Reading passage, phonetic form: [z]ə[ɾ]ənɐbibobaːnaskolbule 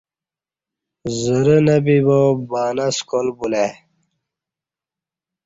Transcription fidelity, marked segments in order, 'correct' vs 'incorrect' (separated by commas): correct, correct